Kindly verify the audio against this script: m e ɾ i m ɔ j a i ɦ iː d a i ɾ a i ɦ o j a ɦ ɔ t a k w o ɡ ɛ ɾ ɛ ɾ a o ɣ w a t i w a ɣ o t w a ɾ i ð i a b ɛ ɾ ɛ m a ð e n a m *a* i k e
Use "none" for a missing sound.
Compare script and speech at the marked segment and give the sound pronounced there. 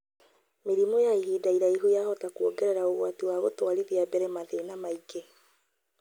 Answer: a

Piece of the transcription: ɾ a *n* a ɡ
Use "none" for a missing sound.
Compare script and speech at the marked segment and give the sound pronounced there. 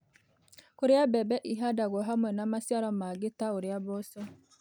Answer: m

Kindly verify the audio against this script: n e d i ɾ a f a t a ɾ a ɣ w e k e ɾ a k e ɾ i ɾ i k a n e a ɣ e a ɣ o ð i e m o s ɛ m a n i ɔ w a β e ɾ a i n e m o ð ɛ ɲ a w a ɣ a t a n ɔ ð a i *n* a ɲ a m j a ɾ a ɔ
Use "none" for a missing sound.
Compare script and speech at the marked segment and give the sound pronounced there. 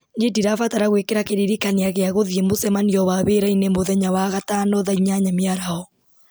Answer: ɲ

